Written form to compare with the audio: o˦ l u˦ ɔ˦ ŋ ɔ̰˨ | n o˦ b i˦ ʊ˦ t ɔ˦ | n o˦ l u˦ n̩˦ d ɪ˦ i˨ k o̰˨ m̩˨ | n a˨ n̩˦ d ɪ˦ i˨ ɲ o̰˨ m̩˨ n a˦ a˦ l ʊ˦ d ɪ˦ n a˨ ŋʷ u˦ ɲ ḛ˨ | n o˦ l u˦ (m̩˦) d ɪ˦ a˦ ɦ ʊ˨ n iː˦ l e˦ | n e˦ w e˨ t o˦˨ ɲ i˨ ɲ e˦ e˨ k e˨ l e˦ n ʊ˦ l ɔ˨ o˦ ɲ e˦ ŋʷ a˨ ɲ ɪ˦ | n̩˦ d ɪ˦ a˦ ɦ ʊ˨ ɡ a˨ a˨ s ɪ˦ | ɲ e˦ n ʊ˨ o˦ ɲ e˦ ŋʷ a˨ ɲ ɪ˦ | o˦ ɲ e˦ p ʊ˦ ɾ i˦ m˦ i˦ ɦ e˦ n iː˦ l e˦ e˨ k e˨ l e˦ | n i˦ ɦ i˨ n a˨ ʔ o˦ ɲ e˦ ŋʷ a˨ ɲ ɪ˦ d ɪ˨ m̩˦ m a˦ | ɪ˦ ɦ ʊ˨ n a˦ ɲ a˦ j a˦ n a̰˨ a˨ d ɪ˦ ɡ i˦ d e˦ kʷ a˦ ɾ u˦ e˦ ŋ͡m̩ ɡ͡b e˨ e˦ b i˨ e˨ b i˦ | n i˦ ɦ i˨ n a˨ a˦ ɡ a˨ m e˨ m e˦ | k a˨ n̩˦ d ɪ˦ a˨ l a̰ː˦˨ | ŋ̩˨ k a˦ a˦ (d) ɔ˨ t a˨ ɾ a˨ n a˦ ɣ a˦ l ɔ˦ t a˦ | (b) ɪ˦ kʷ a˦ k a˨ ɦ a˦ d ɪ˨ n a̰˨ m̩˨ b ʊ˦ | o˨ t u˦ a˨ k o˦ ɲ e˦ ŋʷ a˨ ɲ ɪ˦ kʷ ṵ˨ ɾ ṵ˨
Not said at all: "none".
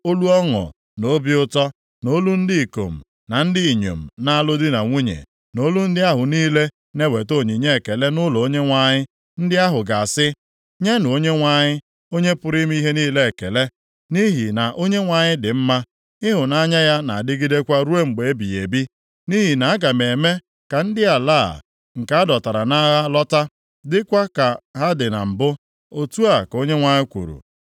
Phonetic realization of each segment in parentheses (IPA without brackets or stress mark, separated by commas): n̩˦, d, d